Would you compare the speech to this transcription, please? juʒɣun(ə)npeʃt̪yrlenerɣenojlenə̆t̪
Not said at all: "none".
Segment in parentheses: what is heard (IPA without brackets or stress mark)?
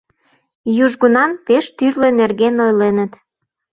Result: ɑ